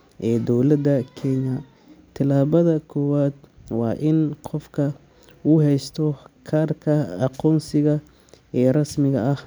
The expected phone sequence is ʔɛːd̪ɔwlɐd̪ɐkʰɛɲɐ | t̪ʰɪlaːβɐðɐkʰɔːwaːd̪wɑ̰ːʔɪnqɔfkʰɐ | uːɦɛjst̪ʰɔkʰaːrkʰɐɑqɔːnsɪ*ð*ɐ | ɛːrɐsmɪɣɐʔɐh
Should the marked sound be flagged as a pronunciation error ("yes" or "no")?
yes